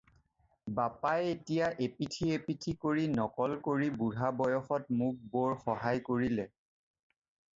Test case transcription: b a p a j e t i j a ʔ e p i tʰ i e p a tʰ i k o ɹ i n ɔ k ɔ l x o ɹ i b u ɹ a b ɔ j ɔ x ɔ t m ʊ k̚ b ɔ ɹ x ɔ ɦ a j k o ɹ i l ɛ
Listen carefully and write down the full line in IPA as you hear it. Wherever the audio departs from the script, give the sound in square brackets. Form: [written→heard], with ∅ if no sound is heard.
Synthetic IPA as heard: b a p a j e t i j a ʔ e p i tʰ i e p [a→i] tʰ i k o ɹ i n ɔ k ɔ l [x→k] o ɹ i b u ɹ a b ɔ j ɔ x ɔ t m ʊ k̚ b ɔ ɹ x ɔ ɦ a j k o ɹ i l ɛ